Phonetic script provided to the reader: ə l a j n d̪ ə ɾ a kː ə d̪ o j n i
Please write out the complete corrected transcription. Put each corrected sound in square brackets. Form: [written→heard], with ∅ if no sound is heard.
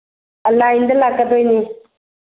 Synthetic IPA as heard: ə l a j n d̪ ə [ɾ→l] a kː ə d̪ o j n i